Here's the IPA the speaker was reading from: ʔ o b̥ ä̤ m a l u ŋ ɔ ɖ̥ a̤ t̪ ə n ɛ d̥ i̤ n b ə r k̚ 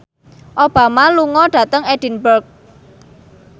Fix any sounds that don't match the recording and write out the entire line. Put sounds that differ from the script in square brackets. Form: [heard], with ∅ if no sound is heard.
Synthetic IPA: ʔ o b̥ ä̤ m a l u ŋ ɔ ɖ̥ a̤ t̪ ə [ŋ] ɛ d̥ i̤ n b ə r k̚